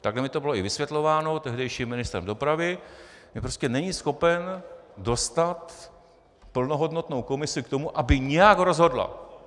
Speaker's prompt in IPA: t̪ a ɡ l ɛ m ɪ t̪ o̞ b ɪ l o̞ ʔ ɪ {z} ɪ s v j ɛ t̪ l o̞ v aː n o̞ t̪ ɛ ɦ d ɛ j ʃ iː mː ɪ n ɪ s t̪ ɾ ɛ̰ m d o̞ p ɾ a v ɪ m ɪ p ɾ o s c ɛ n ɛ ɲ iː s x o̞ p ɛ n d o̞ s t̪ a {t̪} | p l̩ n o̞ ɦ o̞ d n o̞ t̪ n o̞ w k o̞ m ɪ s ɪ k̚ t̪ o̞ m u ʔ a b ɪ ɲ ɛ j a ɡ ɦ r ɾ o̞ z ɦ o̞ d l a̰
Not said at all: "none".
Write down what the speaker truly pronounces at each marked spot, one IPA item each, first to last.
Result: v, t̪

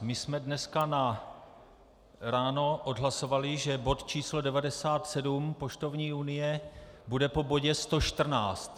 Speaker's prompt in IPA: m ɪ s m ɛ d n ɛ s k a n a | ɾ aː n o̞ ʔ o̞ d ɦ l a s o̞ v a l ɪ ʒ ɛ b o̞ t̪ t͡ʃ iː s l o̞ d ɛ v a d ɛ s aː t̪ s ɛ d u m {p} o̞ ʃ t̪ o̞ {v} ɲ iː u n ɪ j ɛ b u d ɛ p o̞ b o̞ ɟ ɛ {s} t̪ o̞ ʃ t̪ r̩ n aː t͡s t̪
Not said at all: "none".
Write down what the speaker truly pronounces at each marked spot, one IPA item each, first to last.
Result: p, v, s

